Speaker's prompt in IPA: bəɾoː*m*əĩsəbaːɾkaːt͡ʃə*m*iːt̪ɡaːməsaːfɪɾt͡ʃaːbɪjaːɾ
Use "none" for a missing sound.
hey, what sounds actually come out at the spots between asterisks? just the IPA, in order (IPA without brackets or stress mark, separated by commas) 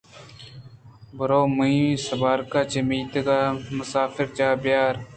m, m